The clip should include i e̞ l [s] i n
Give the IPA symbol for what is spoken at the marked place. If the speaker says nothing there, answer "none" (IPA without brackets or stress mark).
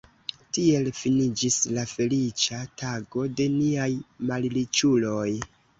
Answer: f